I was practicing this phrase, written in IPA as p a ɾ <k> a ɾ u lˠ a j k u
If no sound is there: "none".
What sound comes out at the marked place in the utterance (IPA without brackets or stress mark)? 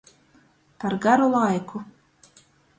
ɡ